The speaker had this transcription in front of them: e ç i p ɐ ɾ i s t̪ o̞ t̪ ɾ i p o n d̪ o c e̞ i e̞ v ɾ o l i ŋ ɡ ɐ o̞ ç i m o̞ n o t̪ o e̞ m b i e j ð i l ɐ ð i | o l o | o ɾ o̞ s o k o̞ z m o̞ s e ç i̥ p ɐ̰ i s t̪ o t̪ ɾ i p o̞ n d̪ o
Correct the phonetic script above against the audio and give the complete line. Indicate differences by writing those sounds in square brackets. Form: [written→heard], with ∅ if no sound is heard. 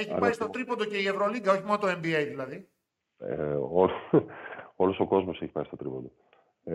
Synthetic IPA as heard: e ç i p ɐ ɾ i s t̪ o̞ t̪ ɾ i p o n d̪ o c e̞ i e̞ v ɾ o l i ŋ ɡ ɐ o̞ ç i m o̞ n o t̪ o e̞ m b i e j ð i l ɐ ð i | o l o | o [ɾ→l] o̞ s o k o̞ z m o̞ s e ç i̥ p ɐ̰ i s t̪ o t̪ ɾ i p o̞ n d̪ o